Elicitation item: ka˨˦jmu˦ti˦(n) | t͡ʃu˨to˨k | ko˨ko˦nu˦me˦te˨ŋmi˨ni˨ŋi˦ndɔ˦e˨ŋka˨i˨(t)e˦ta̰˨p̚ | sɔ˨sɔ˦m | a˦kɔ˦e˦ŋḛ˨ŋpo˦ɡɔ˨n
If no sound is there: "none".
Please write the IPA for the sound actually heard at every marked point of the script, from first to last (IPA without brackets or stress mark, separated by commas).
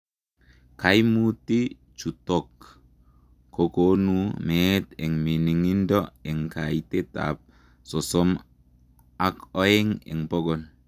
none, t